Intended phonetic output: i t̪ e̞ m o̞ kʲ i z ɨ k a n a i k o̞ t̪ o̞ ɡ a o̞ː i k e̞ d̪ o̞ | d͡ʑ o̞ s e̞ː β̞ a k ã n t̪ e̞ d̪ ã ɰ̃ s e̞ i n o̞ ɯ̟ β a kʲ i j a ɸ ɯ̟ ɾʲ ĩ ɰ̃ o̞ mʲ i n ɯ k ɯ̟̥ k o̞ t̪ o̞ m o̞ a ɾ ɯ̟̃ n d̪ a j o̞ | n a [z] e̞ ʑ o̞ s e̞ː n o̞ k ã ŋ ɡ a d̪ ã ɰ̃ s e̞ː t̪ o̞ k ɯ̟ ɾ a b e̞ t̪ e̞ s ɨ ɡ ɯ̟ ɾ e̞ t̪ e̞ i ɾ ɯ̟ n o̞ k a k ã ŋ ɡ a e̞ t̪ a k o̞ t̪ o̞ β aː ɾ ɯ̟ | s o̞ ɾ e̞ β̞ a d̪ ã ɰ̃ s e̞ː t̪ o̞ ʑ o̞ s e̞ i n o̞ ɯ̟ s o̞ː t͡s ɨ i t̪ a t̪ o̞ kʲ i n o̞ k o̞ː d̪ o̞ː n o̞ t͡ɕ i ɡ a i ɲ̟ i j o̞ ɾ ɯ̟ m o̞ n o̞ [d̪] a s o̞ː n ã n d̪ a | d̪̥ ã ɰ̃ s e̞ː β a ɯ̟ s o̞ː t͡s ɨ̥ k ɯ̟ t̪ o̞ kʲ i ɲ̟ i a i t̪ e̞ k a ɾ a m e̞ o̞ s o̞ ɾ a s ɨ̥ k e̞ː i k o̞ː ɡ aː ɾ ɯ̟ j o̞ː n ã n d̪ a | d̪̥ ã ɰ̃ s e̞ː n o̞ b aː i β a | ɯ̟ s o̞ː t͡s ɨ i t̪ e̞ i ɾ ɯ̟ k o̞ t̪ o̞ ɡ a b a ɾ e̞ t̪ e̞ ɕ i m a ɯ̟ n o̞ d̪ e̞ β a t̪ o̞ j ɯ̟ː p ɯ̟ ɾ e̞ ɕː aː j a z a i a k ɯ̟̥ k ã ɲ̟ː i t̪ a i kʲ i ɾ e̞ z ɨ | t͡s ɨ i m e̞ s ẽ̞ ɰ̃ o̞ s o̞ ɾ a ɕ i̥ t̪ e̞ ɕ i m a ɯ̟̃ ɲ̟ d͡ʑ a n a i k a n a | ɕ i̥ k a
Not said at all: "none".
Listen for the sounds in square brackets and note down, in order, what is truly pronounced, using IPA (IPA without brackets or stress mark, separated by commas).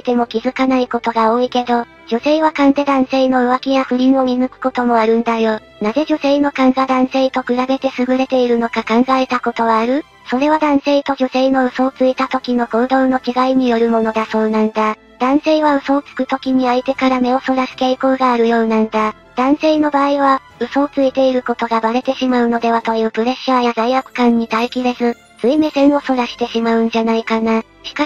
z, d̪